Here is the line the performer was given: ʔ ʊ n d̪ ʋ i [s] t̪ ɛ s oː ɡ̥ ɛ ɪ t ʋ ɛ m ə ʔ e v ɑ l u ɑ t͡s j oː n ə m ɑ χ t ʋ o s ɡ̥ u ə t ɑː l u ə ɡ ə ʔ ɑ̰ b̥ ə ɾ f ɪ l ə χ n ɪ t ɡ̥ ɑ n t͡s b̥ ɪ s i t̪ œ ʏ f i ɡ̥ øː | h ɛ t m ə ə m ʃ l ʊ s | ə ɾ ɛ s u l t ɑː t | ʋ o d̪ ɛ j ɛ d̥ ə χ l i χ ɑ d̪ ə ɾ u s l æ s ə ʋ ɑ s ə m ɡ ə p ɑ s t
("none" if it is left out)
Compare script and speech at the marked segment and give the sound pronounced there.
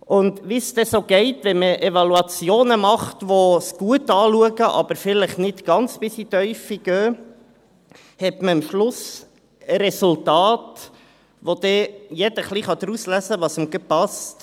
s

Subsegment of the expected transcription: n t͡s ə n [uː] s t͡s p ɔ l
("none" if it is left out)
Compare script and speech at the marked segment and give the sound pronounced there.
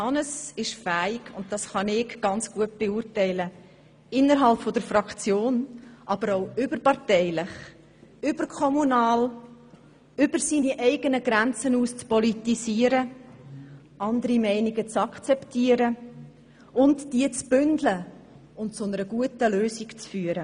uː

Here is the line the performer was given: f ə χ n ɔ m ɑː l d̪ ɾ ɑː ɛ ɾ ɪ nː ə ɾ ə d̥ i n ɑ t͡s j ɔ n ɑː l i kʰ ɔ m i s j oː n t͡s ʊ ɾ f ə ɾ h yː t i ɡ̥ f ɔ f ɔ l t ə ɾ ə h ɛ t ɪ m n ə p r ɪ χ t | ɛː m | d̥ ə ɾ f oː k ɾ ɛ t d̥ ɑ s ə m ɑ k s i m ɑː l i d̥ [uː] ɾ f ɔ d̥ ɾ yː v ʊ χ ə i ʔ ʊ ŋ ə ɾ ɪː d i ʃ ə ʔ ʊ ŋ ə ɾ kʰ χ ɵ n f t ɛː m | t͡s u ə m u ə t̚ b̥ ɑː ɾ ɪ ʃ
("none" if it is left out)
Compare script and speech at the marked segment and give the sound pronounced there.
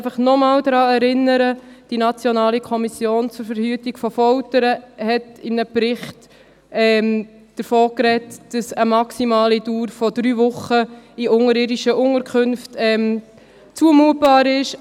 uː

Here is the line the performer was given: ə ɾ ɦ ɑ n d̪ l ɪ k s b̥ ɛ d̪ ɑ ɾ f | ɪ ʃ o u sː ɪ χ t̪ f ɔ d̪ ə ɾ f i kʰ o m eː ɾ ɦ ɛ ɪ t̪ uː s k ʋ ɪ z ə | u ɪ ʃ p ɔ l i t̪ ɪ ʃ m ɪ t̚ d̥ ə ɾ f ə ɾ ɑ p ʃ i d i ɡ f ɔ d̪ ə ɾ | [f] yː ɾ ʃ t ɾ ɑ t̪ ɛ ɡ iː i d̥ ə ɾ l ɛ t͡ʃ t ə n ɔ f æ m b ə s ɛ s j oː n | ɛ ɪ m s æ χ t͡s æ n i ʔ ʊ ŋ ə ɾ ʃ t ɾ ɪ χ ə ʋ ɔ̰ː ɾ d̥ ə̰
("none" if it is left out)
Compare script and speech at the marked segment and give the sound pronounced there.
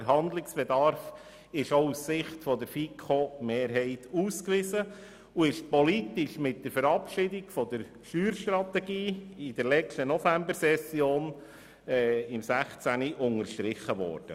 ʃ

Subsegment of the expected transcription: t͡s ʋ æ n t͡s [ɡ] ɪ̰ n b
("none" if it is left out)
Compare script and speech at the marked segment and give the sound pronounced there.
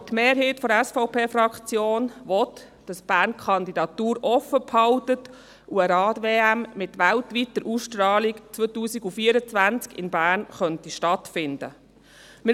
k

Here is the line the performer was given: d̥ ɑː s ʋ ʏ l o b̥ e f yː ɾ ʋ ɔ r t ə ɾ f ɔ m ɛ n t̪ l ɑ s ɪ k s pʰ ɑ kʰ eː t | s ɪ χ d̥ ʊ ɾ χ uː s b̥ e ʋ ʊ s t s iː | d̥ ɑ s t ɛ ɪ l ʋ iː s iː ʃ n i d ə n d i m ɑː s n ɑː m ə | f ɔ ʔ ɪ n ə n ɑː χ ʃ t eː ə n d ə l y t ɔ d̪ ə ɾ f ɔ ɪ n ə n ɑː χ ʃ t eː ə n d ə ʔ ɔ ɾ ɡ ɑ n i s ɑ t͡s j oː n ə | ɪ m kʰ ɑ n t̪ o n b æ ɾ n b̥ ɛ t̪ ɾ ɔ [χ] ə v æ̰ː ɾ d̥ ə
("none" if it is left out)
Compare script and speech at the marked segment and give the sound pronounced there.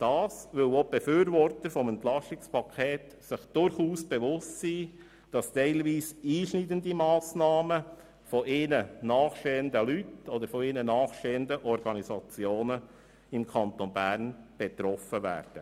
f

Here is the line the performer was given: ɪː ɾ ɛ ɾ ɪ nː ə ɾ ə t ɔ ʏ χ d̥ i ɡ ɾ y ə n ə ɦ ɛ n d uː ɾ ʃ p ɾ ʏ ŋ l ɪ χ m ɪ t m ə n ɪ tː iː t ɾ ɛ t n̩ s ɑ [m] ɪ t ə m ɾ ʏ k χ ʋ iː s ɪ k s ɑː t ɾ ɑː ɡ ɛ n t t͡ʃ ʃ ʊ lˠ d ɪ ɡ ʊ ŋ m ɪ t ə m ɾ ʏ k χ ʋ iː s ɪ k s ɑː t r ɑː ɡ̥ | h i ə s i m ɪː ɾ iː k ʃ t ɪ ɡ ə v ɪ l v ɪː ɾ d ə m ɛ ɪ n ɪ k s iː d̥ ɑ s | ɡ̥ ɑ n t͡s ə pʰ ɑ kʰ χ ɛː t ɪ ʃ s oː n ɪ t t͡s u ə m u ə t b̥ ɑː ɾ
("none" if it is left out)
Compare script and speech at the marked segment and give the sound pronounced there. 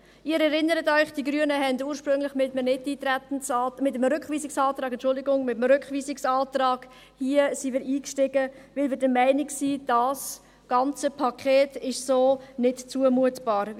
m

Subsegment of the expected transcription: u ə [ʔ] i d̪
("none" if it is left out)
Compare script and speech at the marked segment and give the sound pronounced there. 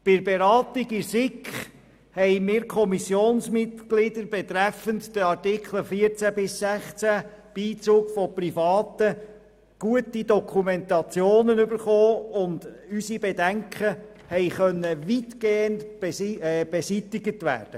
t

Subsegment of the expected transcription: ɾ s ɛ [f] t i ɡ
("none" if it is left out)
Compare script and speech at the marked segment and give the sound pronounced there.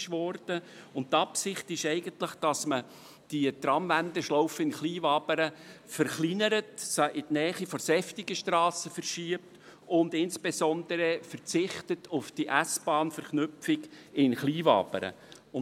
f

